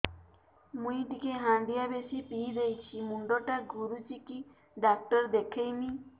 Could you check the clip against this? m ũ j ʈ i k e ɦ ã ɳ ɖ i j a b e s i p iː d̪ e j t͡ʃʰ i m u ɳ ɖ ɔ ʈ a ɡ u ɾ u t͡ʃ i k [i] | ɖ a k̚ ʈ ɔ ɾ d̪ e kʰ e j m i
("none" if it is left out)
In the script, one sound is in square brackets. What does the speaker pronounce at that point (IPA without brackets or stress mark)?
i